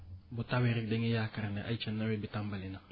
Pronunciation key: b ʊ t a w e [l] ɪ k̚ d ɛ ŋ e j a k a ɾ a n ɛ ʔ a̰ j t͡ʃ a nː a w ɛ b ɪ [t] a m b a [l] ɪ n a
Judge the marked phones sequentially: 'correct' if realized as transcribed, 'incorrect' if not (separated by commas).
incorrect, correct, correct